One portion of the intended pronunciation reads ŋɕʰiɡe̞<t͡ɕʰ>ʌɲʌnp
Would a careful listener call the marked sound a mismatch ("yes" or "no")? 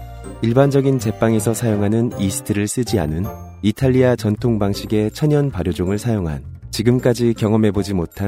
no